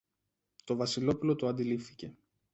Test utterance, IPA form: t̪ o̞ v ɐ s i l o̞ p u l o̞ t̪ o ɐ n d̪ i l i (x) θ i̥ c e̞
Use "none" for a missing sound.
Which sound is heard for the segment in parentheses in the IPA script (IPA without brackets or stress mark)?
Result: f